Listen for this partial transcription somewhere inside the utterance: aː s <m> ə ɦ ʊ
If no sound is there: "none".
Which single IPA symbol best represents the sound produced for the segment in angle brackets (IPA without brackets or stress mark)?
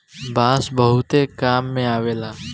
b